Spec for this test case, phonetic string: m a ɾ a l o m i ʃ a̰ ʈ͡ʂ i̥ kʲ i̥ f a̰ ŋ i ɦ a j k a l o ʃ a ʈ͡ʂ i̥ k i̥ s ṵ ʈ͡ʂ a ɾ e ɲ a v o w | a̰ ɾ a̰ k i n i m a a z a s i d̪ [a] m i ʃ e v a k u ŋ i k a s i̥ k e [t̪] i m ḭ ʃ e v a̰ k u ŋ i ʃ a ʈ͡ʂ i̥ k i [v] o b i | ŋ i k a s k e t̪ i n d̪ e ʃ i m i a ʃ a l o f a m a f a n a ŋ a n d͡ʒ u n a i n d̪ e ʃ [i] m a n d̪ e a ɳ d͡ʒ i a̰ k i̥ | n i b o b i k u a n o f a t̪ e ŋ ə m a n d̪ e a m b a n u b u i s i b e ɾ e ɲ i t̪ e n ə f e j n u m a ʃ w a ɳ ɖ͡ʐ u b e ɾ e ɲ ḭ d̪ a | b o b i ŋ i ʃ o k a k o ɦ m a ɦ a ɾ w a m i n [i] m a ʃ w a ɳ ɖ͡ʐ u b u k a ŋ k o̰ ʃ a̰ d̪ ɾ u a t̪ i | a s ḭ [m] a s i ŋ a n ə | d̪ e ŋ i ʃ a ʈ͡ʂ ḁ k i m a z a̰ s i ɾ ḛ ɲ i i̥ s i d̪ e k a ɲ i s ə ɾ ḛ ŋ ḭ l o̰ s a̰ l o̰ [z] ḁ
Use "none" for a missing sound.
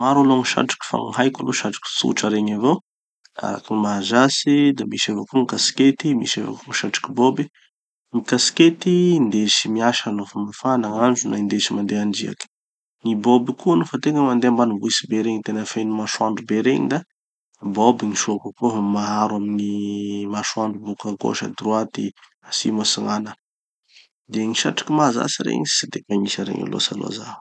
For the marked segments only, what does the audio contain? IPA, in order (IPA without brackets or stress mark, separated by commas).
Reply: a, t̪, b, i, i, m, z